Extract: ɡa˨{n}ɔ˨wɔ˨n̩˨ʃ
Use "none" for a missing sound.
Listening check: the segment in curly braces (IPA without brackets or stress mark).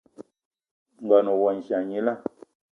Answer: n